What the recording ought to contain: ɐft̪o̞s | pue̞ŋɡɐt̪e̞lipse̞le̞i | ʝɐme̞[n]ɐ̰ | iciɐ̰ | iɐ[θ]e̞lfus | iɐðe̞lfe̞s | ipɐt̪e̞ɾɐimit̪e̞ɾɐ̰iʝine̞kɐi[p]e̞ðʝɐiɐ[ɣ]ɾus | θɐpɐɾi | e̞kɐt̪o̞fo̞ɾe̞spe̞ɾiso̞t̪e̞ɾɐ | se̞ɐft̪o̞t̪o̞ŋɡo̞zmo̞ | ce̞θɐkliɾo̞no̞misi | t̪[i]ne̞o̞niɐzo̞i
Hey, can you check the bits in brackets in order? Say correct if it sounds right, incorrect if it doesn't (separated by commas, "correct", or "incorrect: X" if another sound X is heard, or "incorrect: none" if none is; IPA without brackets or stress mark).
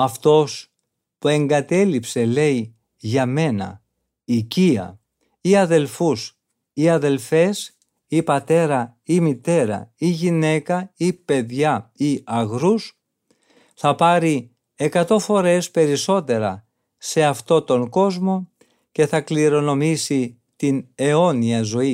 correct, incorrect: ð, correct, correct, correct